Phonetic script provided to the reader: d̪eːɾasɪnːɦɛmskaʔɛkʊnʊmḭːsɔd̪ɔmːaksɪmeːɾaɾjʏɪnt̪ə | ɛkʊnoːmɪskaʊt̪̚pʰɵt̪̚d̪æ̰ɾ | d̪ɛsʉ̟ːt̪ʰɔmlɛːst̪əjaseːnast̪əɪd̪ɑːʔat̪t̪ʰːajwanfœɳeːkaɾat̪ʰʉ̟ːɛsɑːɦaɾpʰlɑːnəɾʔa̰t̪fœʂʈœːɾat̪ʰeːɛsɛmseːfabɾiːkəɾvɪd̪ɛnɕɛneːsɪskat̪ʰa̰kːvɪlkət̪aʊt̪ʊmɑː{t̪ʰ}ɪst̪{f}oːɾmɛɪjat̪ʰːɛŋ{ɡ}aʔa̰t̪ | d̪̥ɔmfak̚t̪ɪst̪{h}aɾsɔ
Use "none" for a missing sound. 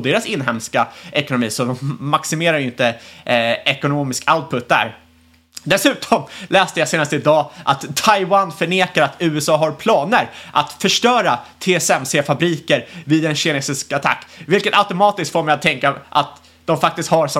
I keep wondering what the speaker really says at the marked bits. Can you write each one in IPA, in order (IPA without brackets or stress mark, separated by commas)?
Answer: t̪, f, k, h